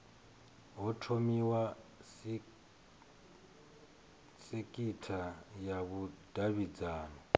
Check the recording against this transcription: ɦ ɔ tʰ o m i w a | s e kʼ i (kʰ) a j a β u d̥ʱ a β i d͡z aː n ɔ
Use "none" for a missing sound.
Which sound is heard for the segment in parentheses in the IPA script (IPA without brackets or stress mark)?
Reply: tʰ